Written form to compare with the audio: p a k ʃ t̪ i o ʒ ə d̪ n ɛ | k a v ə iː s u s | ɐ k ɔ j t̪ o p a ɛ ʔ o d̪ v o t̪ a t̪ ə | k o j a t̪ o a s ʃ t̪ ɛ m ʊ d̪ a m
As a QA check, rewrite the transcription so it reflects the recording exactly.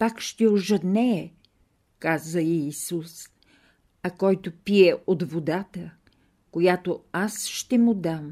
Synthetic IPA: p a k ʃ t̪ ɛ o ʒ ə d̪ n ɛ | k a z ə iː s u s | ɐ k ɔ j t̪ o p i ɛ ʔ o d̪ v o d̪ a t̪ ə | k o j a t̪ o a s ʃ t̪ ɛ m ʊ d̪ a m